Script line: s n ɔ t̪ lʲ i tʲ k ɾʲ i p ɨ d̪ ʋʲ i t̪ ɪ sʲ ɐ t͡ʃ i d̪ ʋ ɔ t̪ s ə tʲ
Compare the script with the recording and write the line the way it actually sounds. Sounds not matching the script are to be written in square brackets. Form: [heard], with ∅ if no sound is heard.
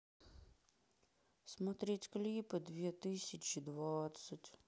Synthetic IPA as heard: s [m] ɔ t̪ [ɾʲ] i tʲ k [lʲ] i p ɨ d̪ ʋʲ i t̪ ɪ sʲ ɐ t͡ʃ i d̪ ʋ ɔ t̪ s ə tʲ